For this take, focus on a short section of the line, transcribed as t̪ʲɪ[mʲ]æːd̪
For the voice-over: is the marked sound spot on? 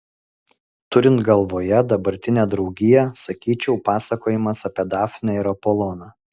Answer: no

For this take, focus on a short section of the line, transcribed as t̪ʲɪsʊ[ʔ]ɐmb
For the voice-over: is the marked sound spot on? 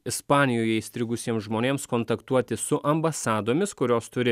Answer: yes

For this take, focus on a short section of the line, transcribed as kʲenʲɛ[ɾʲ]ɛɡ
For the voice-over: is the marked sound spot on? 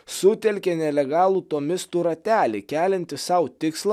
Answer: no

